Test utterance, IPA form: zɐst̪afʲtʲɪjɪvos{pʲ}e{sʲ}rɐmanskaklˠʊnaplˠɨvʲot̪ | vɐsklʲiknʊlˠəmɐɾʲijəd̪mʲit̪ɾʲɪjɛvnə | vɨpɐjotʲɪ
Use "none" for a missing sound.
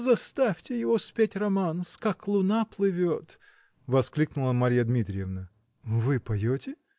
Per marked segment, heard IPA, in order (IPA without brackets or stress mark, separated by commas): pʲ, tʲ